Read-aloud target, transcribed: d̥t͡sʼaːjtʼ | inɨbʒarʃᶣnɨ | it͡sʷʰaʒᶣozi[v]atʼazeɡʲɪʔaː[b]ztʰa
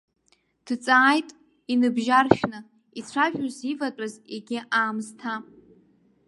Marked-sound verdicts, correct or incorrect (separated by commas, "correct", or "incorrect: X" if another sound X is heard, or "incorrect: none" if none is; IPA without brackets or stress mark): correct, incorrect: m